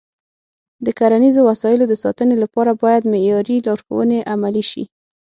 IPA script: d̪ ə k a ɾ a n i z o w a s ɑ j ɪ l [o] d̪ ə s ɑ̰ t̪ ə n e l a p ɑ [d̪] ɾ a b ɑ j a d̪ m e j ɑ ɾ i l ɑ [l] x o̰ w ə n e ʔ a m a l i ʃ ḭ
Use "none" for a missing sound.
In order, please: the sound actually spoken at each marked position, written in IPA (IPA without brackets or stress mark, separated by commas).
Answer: o, none, ɾ